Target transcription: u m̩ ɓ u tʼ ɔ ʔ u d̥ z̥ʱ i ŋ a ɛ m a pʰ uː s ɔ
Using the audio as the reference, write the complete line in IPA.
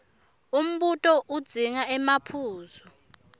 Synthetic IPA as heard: u m̩ ɓ u tʼ ɔ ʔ u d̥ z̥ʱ i ŋ a ɛ m a pʰ uː z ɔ